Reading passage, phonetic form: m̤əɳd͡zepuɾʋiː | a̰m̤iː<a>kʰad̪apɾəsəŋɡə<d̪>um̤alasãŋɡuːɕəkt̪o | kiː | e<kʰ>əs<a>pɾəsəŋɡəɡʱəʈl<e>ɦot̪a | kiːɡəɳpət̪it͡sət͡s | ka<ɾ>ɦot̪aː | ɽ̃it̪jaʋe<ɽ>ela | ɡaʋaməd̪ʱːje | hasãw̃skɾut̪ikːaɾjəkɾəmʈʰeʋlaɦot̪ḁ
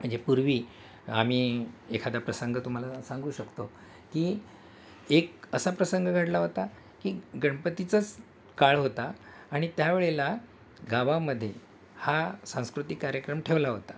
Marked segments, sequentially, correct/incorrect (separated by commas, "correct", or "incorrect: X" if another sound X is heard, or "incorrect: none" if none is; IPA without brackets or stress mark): incorrect: e, incorrect: t̪, incorrect: k, correct, incorrect: a, incorrect: ɭ, incorrect: ɭ